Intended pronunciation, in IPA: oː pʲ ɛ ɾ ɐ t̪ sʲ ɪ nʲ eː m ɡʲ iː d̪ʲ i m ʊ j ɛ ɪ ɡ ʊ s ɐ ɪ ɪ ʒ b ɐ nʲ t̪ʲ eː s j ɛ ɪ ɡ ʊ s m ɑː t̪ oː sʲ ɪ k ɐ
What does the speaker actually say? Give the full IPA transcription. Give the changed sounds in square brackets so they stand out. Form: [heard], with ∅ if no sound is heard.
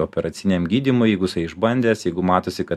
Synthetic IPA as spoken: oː pʲ ɛ ɾ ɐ t̪ sʲ ɪ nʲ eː m ɡʲ iː d̪ʲ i m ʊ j ɛ ɪ ɡ ʊ s ɐ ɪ ɪ ʒ b ɐ nʲ [d̪ʲ] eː s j ɛ ɪ ɡ ʊ [∅] m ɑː t̪ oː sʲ ɪ k ɐ